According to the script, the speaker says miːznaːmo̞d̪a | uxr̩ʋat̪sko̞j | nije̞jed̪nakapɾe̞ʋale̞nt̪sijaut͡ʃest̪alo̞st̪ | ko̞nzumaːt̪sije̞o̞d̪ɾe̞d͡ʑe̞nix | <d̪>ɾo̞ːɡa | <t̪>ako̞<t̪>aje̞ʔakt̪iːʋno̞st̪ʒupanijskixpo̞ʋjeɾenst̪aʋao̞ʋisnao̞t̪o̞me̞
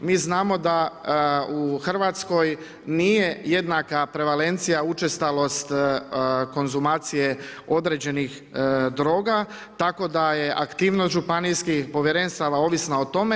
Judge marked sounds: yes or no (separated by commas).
yes, yes, no